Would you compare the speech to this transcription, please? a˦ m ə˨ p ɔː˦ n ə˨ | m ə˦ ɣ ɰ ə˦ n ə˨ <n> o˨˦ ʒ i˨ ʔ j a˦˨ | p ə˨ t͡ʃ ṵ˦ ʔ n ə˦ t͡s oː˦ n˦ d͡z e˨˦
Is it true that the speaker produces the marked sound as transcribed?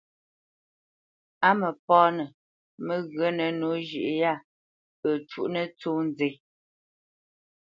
yes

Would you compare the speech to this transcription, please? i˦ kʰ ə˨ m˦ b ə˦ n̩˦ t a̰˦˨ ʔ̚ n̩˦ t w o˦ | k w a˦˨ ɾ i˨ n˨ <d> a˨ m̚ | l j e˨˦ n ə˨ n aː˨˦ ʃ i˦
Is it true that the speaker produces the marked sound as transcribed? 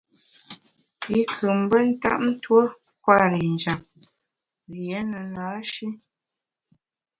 no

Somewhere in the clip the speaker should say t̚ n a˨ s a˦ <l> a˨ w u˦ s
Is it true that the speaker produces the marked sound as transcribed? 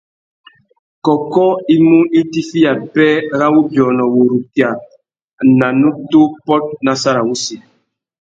no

